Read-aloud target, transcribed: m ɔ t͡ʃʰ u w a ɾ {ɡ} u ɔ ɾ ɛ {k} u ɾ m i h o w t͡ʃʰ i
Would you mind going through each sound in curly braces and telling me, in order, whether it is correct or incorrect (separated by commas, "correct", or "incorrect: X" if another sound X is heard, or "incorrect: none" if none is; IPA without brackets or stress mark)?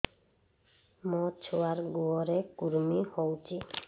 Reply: correct, correct